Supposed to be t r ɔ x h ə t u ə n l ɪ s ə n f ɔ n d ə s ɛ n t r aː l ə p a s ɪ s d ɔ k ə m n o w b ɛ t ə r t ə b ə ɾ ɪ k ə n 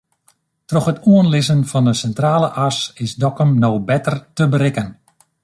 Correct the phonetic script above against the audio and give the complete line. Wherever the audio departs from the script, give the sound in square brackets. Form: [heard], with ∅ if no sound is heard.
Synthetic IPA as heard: t r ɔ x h ə t u ə n l ɪ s ə n f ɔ n d ə s ɛ n t r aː l ə [ʔ] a s ɪ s d ɔ k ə m n o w b ɛ t ə r t ə b ə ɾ ɪ k ə n